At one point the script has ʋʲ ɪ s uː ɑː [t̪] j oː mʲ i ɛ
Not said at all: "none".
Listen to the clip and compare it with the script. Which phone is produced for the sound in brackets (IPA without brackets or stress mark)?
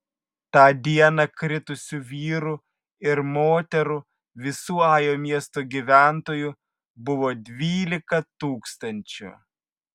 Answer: none